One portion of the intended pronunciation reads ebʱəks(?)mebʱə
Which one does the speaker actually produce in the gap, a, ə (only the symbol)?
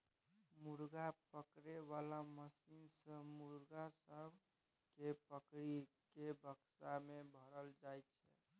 a